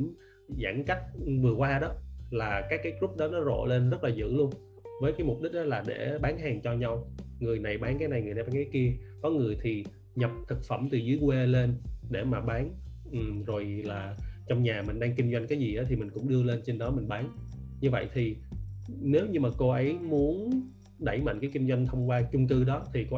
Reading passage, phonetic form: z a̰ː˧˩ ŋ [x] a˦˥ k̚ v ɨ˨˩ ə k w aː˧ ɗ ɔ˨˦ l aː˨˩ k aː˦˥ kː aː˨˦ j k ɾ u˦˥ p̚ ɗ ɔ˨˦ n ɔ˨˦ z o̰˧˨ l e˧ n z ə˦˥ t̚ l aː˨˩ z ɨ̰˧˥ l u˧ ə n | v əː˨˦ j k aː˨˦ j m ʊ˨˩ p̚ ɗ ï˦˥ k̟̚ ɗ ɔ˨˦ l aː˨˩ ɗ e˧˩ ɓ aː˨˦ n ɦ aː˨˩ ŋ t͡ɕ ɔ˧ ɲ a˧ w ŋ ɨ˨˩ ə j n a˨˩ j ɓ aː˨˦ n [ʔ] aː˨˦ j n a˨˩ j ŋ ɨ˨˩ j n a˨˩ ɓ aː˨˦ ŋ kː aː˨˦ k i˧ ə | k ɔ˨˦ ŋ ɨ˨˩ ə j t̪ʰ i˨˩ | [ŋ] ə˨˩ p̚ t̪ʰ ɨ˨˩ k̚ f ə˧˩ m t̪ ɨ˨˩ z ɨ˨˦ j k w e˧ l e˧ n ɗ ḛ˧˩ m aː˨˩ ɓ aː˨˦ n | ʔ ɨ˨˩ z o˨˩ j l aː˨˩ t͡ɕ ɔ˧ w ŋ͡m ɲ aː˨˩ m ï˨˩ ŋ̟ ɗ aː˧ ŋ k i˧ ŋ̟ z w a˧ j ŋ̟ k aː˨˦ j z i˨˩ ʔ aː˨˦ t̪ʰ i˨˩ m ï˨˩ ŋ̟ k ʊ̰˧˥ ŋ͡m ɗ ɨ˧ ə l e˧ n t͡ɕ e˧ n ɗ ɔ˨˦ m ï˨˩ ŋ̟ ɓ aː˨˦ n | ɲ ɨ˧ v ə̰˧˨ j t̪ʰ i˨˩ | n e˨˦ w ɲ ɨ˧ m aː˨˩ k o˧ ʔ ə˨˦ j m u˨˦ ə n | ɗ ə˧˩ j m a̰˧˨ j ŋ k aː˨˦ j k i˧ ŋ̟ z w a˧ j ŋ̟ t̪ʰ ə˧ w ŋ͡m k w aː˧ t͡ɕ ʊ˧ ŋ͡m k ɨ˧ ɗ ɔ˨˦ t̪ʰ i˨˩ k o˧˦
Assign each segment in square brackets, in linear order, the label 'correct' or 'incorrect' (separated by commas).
incorrect, incorrect, incorrect